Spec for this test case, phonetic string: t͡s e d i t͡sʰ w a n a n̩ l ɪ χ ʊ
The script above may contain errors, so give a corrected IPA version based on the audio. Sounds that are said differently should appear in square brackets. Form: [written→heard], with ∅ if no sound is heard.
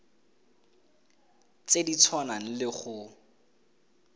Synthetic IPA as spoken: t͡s e d i t͡sʰ w a n a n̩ l ɪ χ ʊ